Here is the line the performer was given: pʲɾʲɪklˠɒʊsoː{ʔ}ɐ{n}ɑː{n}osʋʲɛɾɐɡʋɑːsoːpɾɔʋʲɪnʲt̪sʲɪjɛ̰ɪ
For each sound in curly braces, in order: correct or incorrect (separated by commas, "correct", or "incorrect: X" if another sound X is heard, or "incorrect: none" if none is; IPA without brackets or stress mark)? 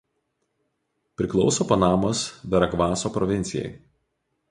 incorrect: p, correct, incorrect: m